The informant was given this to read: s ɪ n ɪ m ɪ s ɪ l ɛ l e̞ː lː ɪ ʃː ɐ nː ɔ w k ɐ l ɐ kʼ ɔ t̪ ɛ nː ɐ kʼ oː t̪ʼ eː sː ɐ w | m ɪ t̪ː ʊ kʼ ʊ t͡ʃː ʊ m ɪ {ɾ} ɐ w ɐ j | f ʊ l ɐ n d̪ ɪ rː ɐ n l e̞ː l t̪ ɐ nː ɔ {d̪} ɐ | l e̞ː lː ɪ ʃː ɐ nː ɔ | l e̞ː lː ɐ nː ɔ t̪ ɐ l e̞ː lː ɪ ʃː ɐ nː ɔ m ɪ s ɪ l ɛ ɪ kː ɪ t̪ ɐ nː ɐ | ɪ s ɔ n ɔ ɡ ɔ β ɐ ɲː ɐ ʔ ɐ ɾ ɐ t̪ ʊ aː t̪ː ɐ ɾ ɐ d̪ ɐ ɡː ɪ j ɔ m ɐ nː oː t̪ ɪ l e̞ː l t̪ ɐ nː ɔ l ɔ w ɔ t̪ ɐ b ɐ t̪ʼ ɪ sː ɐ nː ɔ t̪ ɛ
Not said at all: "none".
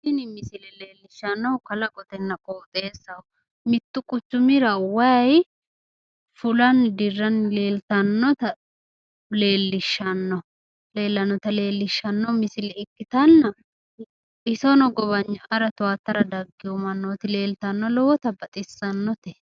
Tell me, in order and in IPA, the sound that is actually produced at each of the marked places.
ɾ, t̪

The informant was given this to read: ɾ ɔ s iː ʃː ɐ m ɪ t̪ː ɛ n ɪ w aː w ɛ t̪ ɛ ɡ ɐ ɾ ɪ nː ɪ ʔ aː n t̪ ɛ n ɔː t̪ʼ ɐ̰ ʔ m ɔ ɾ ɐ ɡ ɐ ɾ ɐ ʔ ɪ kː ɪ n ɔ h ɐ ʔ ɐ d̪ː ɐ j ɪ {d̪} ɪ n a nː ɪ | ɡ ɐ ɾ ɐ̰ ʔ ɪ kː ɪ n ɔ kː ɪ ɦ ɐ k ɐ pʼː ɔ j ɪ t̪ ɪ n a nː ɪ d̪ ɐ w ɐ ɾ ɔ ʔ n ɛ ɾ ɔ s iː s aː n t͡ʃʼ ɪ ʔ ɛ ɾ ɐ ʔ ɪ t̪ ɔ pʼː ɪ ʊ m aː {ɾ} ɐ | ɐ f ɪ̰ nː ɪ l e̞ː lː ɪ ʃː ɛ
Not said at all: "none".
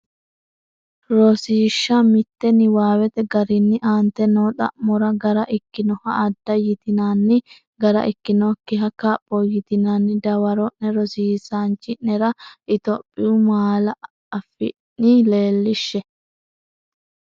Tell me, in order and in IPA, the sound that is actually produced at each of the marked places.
t̪, l

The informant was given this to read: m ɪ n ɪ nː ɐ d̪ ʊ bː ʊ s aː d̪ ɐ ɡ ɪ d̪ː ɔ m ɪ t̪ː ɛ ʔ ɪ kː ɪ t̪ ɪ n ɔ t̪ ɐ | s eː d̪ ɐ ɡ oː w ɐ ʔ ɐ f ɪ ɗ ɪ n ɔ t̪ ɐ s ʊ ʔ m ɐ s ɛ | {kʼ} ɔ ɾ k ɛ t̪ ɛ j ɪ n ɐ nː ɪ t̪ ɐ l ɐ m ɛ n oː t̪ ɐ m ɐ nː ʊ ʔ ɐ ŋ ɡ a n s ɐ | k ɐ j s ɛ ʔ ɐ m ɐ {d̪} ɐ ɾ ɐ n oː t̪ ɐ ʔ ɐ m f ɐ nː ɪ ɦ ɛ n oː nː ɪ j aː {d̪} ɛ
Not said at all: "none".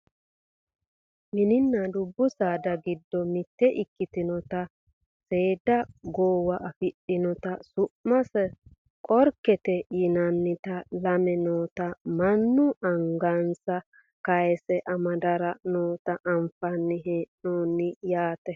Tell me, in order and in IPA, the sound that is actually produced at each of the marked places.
kʼ, d̪, t̪

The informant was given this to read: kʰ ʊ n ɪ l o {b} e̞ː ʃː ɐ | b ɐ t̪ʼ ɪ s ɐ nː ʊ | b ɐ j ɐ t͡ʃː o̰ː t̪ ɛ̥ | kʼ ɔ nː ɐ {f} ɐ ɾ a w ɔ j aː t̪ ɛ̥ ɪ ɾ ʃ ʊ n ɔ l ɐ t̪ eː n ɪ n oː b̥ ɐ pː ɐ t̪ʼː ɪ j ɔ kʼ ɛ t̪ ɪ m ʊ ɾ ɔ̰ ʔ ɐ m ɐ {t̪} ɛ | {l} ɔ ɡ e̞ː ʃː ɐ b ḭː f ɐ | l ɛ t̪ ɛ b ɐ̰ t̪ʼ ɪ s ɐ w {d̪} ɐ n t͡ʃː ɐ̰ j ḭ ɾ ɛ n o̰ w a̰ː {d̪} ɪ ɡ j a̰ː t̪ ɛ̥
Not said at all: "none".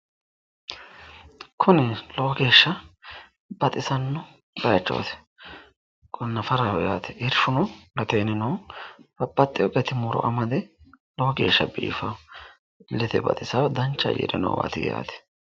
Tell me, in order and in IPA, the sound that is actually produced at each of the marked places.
ɡ, f, d̪, l, d̪, t̪

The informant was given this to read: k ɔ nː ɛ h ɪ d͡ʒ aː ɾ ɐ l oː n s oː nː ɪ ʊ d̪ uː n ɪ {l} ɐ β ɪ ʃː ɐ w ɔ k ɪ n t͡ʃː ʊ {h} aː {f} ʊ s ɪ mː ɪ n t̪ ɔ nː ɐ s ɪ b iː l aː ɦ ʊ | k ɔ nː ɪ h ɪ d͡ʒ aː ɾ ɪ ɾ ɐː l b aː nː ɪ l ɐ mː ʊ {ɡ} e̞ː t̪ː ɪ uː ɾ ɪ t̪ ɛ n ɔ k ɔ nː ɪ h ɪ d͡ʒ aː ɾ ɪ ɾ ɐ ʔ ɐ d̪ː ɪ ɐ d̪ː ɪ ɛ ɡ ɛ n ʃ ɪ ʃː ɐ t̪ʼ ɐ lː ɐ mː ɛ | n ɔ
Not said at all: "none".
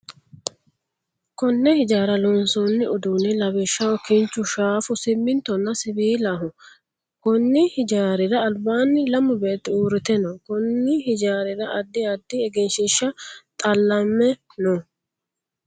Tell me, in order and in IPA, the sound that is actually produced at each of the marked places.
l, ʃ, f, b

